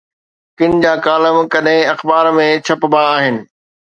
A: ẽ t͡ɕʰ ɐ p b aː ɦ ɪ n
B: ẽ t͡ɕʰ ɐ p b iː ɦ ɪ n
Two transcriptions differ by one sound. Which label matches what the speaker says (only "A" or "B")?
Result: A